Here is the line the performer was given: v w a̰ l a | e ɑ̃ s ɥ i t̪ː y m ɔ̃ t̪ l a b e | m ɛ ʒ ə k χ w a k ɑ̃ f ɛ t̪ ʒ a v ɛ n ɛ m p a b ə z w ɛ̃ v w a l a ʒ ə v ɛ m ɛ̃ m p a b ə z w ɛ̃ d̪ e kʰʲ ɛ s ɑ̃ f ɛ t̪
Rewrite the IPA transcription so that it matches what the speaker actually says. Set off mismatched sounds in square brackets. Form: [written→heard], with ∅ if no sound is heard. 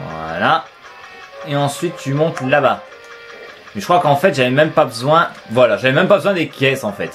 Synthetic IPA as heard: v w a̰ l a | e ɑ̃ s ɥ i t̪ː y m ɔ̃ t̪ l a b [e→a] | m ɛ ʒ ə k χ w a k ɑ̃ f ɛ t̪ ʒ a v ɛ [n→m] ɛ m p a b ə z w ɛ̃ v w a l a ʒ [ə→a] v ɛ m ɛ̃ m p a b ə z w ɛ̃ d̪ e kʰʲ ɛ s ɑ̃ f ɛ t̪

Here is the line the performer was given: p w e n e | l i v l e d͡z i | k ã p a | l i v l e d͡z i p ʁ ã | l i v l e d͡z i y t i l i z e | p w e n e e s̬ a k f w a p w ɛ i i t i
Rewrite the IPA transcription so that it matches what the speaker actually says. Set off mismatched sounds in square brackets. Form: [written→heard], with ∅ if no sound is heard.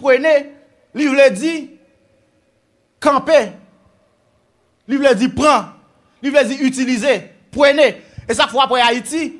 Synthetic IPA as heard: p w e n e | l i v l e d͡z i | k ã p [a→e] | l i v l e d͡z i p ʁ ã | l i v l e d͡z i y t i l i z e | p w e n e e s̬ a k f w a p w ɛ [i→a] i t i

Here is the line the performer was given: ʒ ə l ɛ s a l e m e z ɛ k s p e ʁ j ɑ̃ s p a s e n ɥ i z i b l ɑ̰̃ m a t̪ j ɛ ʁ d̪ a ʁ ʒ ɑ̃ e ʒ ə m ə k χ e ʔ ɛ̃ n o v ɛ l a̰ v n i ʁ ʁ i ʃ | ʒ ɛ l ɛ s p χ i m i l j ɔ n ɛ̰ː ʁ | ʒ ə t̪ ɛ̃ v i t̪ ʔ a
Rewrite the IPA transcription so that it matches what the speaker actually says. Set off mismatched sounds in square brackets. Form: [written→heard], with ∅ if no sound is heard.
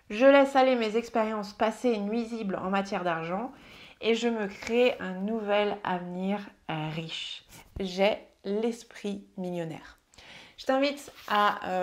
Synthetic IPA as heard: ʒ ə l ɛ s a l e m e z ɛ k s p e ʁ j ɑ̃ s p a s e n ɥ i z i b l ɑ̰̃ m a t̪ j ɛ ʁ d̪ a ʁ ʒ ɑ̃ e ʒ ə m ə k χ e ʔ ɛ̃ n [o→u] v ɛ l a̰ v n i ʁ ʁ i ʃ | ʒ ɛ l ɛ s p χ i m i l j ɔ n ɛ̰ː ʁ | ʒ ə t̪ ɛ̃ v i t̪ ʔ a

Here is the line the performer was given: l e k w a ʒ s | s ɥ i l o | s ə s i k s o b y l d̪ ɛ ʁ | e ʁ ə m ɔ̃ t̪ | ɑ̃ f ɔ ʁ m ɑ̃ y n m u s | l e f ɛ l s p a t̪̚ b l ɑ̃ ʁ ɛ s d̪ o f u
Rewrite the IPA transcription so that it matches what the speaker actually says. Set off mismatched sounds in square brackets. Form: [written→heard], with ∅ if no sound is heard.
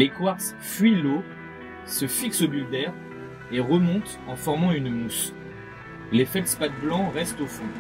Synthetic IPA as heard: l e k w a [ʒ→ʁ] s | [s→f] ɥ i l o | s ə [s→f] i k s o b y l d̪ ɛ ʁ | e ʁ ə m ɔ̃ t̪ | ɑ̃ f ɔ ʁ m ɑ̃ y n m u s | l e f ɛ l s p a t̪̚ b l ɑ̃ ʁ ɛ s [d̪→t̪] o f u

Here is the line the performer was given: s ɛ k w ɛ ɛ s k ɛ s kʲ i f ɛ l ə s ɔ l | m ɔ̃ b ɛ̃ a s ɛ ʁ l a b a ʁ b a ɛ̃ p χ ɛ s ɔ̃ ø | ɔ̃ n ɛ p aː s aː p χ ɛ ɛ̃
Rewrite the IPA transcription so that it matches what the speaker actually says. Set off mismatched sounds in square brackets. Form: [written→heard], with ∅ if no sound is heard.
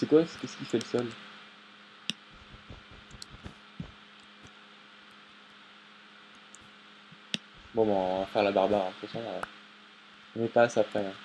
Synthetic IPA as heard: s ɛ k w [ɛ→a] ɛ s k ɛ s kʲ i f ɛ l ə s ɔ l | [m→b] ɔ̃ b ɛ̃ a [s→f] ɛ ʁ l a b a ʁ b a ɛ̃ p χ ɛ s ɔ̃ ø | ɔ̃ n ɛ p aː s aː p χ ɛ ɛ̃

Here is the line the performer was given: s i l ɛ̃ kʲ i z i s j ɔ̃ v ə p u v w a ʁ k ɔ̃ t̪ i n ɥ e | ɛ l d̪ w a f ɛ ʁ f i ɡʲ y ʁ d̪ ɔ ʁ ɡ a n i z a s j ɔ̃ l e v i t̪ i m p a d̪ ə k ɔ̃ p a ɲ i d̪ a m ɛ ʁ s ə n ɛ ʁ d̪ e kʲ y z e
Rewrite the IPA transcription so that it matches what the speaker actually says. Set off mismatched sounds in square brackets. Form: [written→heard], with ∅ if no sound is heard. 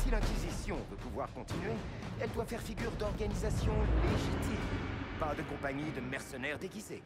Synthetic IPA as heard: s i l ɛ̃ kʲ i z i s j ɔ̃ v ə p u v w a ʁ k ɔ̃ t̪ i n ɥ e | ɛ l d̪ w a f ɛ ʁ f i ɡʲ y ʁ d̪ ɔ ʁ ɡ a n i z a s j ɔ̃ l e [v→ʒ] i t̪ i m p a d̪ ə k ɔ̃ p a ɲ i d̪ [a→ə] m ɛ ʁ s ə n ɛ ʁ d̪ e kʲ [y→i] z e

